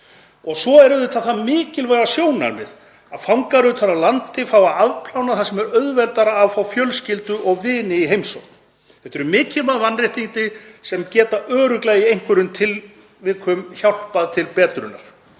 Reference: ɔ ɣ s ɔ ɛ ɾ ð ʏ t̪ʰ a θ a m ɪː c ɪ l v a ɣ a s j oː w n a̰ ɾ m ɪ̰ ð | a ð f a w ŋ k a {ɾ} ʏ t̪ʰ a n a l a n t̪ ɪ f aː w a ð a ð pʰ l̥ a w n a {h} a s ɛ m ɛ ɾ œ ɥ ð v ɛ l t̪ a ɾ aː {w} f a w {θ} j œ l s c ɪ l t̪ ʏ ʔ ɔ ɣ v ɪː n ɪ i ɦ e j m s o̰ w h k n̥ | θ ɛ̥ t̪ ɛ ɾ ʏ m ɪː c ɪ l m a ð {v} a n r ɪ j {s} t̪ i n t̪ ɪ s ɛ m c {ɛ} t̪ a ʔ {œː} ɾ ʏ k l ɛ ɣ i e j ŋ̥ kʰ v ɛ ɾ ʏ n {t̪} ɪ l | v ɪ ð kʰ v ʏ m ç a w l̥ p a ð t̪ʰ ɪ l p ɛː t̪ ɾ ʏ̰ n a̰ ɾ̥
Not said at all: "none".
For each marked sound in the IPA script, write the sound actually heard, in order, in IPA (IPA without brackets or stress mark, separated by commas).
ɾ, θ, v, f, v, h, ɛː, œː, t̪ʰ